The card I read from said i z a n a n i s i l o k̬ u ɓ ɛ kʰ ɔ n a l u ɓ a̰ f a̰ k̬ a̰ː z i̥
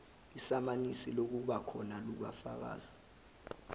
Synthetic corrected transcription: i s a m a n i s i l o k̬ u ɓ a kʰ ɔ n a l u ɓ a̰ f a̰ k̬ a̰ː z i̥